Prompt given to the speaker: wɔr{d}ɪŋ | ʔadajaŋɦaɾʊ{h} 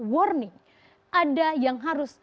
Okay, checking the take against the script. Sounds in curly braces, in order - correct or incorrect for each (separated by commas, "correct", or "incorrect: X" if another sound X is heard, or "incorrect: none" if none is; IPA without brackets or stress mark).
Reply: incorrect: n, incorrect: s